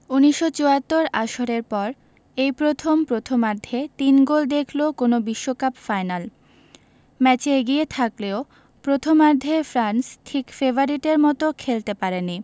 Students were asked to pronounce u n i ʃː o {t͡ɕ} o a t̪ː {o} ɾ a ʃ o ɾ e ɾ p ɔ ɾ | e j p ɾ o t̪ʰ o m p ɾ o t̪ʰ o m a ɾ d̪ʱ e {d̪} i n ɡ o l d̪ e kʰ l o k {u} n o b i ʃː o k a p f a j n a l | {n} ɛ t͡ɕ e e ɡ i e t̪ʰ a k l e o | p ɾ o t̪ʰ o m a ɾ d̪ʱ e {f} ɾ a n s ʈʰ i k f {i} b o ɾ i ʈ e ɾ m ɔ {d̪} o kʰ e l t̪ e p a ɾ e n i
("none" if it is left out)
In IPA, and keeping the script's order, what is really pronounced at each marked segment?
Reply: t͡ɕ, o, t̪, o, m, f, e, t̪

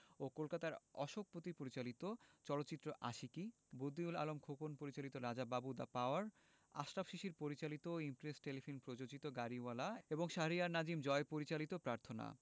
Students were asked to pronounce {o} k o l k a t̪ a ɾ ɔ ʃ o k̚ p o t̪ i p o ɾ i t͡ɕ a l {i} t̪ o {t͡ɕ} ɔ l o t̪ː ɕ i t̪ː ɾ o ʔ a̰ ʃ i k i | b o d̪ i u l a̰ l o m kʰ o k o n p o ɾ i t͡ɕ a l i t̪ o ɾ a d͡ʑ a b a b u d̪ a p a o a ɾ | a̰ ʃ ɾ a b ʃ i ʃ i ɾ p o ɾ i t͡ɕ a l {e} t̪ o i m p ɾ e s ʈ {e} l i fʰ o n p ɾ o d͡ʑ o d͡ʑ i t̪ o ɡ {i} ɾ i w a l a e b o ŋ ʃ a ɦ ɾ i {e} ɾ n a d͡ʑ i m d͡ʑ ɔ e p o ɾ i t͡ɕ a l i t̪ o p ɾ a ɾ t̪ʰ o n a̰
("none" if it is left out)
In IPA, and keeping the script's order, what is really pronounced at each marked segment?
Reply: o, i, t͡ɕ, i, e, a, a

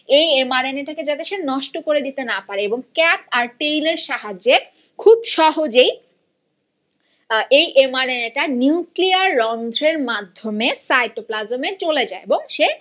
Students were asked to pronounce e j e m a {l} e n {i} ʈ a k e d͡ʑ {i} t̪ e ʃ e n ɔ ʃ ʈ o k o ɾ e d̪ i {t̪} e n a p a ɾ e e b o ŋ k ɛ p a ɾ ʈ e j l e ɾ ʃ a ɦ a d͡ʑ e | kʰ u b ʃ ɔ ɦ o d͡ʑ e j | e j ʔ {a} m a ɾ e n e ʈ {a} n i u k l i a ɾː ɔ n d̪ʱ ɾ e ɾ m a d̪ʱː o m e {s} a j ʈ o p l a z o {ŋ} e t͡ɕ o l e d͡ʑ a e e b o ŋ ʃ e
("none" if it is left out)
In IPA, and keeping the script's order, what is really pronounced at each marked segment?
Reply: ɾ, e, a, t̪, e, a, s, m

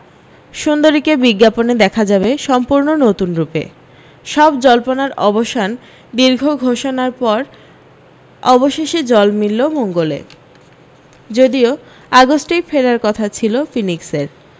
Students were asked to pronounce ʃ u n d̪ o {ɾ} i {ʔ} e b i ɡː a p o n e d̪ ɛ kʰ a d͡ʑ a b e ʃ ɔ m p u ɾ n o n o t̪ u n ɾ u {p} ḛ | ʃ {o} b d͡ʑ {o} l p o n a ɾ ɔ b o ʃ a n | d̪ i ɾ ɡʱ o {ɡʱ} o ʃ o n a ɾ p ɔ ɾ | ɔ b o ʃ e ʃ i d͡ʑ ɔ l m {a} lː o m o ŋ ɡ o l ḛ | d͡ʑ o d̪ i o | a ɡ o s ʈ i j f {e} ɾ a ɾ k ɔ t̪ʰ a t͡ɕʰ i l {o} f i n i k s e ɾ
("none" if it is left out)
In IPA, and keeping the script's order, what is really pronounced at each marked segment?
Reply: ɾ, k, p, ɔ, ɔ, ɡʱ, i, e, o

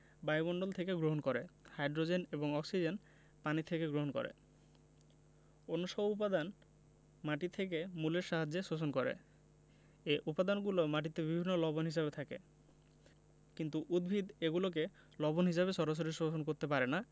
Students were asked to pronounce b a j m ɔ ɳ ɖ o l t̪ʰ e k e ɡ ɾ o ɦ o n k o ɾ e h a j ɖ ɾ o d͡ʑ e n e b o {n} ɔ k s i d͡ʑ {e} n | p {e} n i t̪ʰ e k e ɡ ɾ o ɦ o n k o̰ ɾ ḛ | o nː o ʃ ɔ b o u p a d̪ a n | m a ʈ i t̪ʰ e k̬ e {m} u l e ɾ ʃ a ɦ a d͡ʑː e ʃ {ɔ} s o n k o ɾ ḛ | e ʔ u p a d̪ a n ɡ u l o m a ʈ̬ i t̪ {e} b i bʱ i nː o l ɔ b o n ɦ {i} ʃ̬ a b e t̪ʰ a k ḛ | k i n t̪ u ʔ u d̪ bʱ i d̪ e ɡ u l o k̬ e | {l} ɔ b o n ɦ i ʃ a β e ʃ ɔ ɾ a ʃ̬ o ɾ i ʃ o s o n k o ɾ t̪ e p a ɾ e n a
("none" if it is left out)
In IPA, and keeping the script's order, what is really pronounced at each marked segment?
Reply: ŋ, e, a, m, o, e, i, l

